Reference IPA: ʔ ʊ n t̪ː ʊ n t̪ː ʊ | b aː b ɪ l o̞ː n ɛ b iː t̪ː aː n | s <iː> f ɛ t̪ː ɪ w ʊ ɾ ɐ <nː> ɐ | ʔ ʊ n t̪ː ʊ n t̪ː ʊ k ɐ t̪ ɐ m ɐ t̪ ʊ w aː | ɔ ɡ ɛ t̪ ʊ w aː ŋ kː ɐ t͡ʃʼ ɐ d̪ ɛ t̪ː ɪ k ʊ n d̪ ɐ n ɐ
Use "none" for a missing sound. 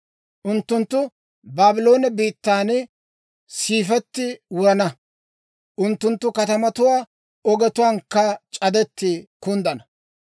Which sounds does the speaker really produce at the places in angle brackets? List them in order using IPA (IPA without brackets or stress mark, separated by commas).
iː, n